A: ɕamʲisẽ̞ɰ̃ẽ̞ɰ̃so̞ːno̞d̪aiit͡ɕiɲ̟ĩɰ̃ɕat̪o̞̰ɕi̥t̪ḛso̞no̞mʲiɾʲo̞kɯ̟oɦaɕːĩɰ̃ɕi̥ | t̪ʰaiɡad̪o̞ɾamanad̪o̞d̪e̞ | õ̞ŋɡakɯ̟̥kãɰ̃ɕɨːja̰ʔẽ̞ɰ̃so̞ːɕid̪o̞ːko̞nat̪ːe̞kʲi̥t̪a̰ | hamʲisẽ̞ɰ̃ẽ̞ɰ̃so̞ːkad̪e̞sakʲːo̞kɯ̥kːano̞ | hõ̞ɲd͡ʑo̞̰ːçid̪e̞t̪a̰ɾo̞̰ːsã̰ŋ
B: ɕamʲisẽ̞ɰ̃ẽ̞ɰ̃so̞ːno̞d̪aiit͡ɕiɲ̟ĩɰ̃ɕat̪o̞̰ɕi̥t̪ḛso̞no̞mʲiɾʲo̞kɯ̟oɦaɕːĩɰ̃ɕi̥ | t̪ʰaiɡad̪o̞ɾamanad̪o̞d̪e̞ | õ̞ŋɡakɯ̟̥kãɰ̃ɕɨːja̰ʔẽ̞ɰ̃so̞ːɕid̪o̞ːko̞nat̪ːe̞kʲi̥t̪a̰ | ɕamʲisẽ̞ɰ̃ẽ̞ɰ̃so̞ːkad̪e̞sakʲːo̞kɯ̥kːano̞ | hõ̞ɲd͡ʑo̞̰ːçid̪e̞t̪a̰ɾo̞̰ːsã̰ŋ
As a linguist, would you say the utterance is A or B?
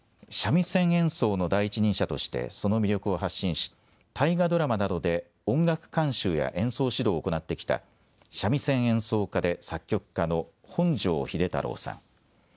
B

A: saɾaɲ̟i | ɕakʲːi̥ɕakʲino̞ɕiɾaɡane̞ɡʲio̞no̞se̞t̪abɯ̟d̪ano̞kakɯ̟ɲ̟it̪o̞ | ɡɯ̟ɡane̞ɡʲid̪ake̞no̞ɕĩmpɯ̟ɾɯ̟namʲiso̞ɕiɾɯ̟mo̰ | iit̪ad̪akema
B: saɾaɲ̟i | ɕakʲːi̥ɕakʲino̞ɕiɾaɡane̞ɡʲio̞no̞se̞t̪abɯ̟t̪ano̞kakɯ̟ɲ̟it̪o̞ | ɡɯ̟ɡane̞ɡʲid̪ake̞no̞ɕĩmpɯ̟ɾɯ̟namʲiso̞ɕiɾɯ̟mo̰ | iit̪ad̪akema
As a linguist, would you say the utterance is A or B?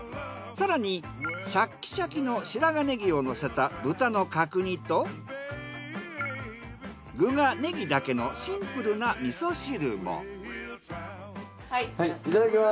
B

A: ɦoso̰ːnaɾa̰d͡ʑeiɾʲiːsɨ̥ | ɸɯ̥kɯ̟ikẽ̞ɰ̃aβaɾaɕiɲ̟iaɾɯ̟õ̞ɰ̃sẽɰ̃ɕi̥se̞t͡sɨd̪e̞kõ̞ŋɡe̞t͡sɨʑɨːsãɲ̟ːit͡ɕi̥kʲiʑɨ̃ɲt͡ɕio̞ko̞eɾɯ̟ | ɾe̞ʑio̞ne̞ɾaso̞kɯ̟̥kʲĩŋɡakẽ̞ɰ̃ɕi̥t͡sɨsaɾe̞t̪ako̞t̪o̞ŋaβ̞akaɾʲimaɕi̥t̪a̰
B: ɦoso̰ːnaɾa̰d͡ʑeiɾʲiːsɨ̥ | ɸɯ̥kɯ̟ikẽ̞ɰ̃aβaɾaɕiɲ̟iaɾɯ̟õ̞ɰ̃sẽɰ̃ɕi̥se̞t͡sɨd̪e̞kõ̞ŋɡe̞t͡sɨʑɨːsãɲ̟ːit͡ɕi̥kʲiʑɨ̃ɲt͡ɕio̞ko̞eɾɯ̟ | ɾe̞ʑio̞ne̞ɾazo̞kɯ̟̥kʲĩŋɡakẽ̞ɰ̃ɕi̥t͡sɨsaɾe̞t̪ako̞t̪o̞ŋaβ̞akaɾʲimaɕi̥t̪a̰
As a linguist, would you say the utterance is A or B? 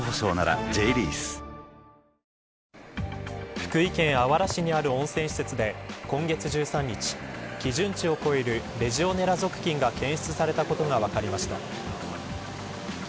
B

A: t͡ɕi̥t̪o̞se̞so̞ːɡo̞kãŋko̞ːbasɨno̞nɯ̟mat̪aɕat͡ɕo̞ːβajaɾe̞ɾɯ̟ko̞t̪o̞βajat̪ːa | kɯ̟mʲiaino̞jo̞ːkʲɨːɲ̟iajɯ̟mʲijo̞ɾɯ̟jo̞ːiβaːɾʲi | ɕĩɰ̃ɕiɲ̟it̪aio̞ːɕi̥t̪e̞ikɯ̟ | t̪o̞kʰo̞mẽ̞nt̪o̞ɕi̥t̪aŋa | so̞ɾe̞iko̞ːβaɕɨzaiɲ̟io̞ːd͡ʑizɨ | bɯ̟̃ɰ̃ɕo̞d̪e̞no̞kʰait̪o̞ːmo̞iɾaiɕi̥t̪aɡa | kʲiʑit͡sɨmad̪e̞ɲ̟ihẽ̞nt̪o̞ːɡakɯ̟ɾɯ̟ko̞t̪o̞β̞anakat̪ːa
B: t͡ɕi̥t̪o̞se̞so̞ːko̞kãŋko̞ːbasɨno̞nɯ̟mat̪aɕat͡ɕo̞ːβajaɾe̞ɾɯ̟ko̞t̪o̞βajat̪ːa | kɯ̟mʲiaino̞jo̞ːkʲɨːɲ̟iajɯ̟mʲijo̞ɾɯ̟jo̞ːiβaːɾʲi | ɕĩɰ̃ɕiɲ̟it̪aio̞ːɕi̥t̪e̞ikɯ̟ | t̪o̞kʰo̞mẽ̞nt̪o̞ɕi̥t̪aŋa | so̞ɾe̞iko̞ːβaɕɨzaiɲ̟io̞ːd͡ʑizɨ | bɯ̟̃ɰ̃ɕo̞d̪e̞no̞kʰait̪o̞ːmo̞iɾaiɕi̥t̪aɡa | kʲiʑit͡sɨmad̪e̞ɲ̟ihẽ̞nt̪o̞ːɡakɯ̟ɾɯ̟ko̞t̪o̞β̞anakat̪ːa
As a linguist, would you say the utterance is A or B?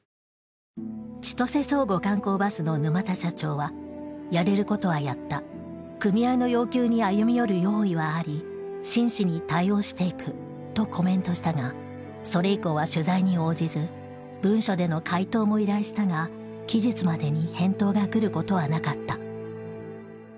A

